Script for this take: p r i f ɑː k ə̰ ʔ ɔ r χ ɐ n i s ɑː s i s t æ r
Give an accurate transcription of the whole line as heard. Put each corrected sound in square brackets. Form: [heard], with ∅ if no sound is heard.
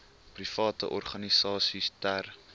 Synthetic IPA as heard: p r i f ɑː [t] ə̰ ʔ ɔ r χ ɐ n i s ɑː s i s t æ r

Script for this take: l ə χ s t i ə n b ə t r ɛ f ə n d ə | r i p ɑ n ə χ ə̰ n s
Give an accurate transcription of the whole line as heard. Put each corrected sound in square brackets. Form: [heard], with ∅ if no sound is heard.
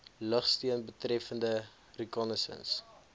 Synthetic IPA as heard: l ə χ s t i ə n b ə t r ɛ f ə n d ə | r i [k] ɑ n ə [s] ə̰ n s

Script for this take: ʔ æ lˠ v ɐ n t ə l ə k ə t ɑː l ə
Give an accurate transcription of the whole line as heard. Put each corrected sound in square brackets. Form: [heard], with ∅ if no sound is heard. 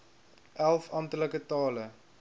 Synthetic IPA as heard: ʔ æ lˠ [f] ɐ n t ə l ə k ə t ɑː l ə

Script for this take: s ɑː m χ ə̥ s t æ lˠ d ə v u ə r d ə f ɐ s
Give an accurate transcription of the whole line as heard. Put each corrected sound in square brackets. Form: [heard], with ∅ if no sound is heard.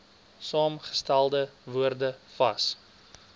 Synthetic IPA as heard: s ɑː m χ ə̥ s t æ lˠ d ə v u ə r d ə f ɐ s

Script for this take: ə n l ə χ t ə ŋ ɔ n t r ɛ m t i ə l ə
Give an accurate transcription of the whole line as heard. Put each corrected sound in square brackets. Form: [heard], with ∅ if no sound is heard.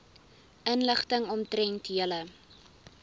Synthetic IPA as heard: ə n l ə χ t ə ŋ ɔ [m] t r ɛ [n] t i ə l ə

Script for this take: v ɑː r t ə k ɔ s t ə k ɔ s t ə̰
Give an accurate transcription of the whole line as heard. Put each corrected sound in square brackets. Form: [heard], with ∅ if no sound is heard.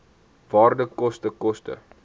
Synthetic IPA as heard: v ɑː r [d] ə k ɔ s t ə k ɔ s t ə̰

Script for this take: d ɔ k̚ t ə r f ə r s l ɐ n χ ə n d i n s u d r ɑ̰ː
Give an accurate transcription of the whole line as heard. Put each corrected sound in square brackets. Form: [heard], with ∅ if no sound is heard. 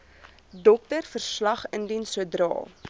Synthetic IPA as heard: d ɔ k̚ t ə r f ə r s l ɐ [∅] χ ə n d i n s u d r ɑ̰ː

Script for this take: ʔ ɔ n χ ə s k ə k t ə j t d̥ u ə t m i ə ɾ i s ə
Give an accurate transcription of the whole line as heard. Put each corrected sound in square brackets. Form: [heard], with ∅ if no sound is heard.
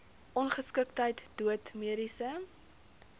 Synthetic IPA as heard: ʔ ɔ n χ ə s k ə k t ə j t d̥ u ə t m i ə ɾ i s ə

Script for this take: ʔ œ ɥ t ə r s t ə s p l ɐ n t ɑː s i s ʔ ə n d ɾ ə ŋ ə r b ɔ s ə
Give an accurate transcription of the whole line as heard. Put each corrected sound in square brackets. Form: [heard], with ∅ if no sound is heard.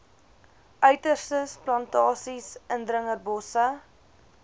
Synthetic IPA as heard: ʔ œ ɥ t ə r s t ə s p l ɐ n t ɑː s i s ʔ ə n d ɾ ə ŋ ə r b ɔ s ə

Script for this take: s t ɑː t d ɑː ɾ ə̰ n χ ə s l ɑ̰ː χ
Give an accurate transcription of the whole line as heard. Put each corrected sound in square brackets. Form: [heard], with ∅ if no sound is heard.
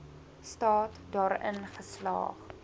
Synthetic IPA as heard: s t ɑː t d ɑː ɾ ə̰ n χ ə s l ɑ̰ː χ

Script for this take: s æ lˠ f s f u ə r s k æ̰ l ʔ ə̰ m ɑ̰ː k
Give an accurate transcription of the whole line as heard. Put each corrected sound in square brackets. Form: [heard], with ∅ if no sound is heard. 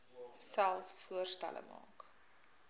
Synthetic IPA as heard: s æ lˠ f s f u ə r s [t] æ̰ l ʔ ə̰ m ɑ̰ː k

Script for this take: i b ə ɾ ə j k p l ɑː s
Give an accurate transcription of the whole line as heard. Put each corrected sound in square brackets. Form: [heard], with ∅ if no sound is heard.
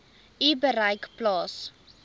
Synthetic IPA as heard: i b ə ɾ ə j k p l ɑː s

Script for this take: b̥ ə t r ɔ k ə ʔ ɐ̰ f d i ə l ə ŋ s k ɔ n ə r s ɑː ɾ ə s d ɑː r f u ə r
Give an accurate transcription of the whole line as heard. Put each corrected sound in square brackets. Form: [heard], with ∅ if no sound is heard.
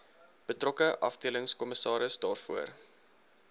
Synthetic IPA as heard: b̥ ə t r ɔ k ə ʔ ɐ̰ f d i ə l ə ŋ s k ɔ [m] ə [∅] s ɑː ɾ ə s d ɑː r f u ə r

